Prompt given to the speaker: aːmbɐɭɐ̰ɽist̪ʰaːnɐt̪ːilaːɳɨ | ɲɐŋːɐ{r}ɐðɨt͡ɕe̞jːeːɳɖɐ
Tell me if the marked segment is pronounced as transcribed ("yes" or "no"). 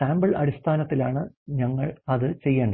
no